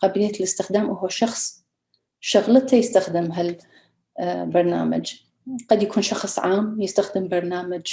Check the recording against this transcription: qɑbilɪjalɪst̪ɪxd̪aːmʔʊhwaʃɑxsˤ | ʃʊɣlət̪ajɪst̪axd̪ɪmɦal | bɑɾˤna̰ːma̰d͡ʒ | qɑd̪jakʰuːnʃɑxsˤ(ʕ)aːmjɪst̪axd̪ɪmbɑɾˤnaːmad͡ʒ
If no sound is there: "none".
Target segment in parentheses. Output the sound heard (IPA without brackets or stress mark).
ʕ